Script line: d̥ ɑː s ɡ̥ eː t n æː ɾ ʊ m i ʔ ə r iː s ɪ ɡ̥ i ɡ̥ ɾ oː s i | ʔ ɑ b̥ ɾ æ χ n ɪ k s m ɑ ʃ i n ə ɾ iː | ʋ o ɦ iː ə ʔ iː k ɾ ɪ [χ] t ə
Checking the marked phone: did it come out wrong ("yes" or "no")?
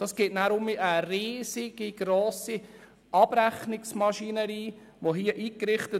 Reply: no